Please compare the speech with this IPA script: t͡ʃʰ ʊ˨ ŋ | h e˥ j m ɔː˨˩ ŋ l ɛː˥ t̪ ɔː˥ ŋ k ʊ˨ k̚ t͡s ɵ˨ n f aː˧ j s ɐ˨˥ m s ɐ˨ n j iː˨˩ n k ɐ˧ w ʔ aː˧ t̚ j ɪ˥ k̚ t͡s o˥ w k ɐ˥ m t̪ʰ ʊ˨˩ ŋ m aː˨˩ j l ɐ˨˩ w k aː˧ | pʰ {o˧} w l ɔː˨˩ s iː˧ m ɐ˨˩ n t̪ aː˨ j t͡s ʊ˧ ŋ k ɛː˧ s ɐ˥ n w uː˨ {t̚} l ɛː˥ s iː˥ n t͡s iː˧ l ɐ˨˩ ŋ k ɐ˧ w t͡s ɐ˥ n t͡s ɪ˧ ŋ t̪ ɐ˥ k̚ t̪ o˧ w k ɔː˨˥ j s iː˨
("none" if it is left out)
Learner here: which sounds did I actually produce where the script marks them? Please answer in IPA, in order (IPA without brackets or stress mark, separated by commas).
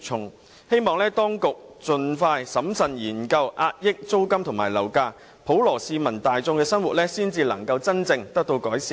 o˨˥, t̚